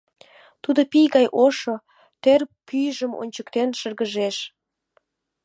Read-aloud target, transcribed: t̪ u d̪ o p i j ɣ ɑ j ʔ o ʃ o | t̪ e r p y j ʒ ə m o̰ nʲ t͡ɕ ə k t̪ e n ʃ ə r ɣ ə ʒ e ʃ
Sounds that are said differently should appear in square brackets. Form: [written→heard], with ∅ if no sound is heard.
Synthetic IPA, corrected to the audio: t̪ u d̪ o p i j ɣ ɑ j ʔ o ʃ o | t̪ e r p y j ʒ ə m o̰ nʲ t͡ɕ ə k t̪ e n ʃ ə r ɣ ə ʒ e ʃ